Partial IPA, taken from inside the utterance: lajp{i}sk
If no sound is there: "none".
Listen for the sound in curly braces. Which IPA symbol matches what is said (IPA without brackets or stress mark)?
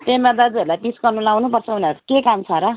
i